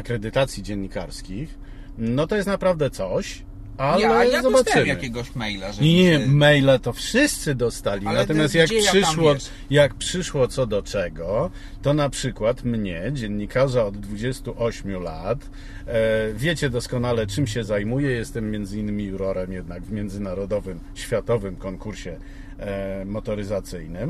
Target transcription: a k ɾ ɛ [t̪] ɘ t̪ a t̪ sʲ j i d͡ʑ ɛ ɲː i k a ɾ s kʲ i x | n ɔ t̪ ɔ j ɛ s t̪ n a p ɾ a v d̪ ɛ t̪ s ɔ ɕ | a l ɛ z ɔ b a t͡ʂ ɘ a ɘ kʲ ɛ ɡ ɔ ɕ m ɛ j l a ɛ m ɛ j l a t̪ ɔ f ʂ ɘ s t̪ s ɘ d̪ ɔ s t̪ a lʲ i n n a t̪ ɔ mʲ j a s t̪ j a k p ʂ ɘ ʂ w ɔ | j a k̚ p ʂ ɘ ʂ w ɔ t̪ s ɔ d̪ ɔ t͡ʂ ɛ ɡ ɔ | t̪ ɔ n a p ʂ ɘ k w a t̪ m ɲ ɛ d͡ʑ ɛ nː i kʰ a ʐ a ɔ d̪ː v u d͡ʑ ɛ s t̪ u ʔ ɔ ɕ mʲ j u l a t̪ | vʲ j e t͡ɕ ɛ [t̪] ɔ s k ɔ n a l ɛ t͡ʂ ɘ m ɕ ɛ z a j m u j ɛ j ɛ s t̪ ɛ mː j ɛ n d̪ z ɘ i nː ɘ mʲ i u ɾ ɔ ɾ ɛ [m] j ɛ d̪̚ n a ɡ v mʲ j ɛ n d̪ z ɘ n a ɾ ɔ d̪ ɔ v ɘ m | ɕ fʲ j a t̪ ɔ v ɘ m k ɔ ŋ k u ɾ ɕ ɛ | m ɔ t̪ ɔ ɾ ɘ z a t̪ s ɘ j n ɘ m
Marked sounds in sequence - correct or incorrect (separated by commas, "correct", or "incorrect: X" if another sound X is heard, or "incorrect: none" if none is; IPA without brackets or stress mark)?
incorrect: d̪, incorrect: d̪, correct